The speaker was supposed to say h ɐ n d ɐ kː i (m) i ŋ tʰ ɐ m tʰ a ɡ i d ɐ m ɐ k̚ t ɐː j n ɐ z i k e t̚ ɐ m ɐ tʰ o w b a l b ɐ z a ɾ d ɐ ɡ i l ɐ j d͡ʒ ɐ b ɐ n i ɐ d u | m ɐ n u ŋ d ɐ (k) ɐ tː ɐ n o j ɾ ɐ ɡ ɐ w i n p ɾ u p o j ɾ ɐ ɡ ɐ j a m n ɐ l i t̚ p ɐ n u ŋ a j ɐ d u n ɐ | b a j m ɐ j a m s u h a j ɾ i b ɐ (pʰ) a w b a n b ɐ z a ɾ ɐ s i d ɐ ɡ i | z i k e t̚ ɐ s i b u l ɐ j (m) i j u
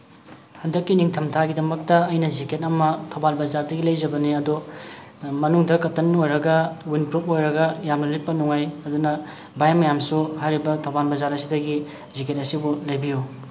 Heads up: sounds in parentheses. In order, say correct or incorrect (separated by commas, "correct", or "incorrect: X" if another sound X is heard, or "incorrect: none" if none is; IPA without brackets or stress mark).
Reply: incorrect: n, correct, incorrect: tʰ, incorrect: b